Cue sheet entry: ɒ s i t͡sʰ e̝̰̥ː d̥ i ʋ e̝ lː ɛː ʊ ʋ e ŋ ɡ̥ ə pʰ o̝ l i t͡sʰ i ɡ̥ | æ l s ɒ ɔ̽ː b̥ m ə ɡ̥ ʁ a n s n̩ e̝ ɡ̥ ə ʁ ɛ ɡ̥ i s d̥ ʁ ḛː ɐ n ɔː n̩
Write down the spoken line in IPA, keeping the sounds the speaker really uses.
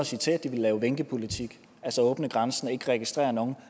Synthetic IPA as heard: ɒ s i t͡sʰ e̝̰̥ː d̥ i ʋ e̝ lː ɛː ʊ ʋ e ŋ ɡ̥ ə pʰ o̝ l i t͡sʰ i ɡ̥ | æ l s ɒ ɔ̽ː b̥ n ə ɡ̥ ʁ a n s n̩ e̝ ɡ̥ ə ʁ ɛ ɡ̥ i s d̥ ʁ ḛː ɐ n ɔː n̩

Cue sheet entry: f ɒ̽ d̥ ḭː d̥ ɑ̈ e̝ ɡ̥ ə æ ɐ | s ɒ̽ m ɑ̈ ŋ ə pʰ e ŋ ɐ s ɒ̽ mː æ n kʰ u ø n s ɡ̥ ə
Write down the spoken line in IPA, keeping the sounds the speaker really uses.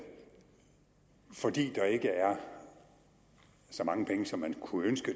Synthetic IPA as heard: f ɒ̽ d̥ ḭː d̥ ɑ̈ e̝ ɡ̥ ə æ ɐ | s ɒ̽ m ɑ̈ ŋ ə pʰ e ŋ ə s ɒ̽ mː æ n kʰ u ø n s ɡ̥ ə

